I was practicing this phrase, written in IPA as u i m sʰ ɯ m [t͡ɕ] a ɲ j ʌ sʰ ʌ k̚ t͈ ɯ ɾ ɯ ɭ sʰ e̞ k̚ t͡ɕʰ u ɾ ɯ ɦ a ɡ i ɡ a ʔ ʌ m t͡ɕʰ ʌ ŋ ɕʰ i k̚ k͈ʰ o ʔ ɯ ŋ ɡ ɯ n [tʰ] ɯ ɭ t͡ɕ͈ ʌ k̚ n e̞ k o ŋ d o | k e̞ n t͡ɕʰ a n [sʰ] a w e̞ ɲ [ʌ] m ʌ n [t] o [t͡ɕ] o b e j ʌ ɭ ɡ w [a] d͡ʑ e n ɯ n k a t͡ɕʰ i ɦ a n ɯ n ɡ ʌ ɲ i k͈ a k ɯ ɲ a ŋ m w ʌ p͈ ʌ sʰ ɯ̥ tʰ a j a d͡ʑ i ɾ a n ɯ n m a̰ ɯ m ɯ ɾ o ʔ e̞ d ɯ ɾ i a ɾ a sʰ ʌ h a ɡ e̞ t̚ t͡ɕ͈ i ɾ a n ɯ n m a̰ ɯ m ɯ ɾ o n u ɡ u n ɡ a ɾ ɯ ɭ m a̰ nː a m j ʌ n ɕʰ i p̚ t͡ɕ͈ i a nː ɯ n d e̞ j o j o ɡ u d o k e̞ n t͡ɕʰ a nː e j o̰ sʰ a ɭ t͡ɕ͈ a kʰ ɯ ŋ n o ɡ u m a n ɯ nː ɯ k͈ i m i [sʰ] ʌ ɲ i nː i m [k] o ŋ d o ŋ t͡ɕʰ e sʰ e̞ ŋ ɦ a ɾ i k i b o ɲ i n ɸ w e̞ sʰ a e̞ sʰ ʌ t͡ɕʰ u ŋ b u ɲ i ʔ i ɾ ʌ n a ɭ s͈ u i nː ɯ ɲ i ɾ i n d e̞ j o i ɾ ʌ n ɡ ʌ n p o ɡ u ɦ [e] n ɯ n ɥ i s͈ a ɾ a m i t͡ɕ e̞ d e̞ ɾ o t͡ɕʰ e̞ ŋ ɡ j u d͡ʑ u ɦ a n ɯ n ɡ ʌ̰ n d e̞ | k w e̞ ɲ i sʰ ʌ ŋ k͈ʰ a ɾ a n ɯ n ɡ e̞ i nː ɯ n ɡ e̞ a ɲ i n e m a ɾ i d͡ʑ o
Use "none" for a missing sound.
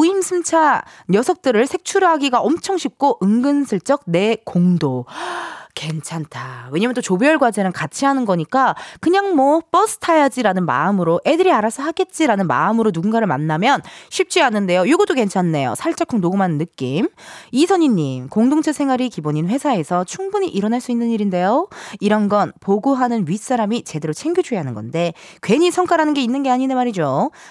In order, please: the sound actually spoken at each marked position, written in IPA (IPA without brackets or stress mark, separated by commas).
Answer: t͡ɕʰ, sʰ, tʰ, a, t, t͡ɕ, a, sʰ, k, a